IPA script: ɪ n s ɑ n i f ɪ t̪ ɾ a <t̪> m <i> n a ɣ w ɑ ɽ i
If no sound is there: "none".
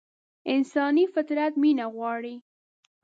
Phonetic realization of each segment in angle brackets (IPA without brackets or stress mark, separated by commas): t̪, i